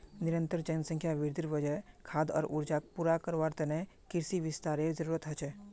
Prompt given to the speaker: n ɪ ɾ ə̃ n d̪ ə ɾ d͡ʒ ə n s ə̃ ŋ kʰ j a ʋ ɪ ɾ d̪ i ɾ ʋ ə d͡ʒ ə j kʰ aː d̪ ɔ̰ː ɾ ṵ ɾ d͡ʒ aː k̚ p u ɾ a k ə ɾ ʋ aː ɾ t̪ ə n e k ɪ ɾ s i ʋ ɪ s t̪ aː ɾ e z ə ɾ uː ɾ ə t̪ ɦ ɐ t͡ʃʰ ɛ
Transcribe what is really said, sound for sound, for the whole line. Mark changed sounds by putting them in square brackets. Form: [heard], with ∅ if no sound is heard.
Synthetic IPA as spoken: n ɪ ɾ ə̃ n [t̪] ə ɾ d͡ʒ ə n s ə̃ ŋ kʰ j a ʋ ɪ ɾ d̪ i ɾ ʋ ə d͡ʒ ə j kʰ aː d̪ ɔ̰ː ɾ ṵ ɾ d͡ʒ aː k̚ p u ɾ a k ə ɾ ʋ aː ɾ t̪ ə n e k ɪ ɾ s i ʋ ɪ s t̪ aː ɾ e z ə ɾ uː ɾ ə t̪ ɦ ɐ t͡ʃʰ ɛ